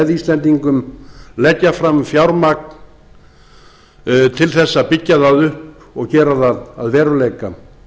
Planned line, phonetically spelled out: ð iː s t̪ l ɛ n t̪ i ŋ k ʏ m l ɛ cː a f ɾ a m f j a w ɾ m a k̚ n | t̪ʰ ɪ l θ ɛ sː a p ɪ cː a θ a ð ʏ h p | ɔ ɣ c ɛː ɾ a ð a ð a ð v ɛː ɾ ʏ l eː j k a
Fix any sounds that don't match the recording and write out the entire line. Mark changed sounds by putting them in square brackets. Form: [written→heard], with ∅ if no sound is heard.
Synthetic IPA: ð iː s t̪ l ɛ n t̪ i ŋ k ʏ m l ɛ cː a f ɾ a m f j a w ɾ m a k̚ n | t̪ʰ ɪ l θ ɛ sː a p ɪ cː a [θ→ð] a ð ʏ h p | ɔ ɣ c ɛː ɾ a ð a ð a ð v ɛː ɾ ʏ l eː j k a